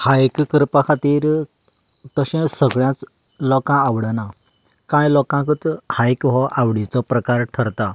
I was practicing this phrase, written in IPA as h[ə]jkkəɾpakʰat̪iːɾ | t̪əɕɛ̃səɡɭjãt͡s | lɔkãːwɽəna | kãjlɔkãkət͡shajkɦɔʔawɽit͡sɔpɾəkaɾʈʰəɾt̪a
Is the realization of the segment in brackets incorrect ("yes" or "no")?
yes